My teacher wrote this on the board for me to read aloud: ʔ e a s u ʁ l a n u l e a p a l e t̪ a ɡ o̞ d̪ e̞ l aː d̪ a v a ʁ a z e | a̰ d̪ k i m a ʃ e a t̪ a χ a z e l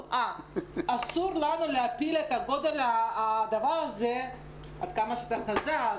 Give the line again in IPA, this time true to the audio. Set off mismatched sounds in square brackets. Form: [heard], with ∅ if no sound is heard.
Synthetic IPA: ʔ [a] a s u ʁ l a n u l e a p [i] l e t̪ a ɡ o̞ d̪ e̞ l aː d̪ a v a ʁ a z e | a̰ d̪ k [a] m a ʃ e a t̪ a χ a z [a] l